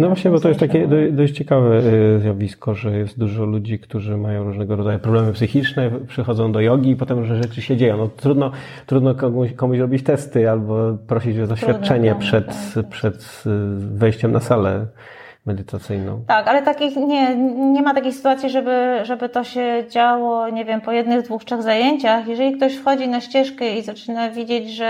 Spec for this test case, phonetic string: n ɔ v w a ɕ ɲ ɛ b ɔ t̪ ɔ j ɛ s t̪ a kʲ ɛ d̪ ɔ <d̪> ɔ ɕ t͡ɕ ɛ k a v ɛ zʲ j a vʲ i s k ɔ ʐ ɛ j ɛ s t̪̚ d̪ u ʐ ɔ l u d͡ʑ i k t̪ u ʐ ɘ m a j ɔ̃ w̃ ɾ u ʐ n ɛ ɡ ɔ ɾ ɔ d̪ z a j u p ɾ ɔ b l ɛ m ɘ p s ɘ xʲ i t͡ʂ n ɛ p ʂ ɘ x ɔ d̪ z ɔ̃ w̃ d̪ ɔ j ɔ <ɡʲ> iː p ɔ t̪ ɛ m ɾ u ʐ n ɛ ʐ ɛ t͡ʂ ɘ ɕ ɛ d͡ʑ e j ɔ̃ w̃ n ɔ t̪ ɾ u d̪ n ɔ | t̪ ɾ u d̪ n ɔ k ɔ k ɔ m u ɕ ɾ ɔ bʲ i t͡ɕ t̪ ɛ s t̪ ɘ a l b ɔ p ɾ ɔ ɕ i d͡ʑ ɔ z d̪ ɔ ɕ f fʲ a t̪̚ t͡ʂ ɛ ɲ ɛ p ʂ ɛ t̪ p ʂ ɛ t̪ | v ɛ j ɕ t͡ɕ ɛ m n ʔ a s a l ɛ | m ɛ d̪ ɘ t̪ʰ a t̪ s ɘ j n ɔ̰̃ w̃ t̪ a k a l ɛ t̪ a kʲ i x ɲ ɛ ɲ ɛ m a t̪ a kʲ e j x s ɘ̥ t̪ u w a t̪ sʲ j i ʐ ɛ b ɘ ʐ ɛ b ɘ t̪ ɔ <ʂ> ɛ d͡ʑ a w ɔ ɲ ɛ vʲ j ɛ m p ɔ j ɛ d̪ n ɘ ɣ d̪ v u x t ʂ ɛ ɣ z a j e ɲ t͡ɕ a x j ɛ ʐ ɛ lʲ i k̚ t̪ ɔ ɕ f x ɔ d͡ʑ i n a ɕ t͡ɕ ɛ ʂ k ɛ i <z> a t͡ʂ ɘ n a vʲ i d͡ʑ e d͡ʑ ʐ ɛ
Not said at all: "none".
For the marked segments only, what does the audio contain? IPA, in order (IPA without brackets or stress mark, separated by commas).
d̪, ɡʲ, ɕ, z